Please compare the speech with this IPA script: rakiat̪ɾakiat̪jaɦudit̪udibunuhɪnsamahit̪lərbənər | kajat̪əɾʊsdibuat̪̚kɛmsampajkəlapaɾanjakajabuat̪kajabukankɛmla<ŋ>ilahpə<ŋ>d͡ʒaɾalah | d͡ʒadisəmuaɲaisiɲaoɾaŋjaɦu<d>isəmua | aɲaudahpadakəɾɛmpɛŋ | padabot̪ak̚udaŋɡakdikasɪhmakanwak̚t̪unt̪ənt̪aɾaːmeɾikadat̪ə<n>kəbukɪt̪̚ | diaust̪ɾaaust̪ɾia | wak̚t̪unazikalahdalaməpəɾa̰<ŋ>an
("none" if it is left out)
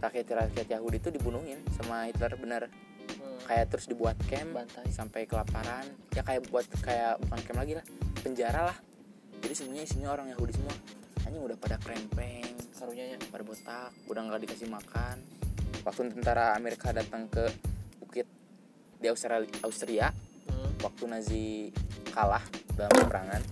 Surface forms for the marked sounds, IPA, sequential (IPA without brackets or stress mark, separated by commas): ɡ, ɲ, d, ŋ, ŋ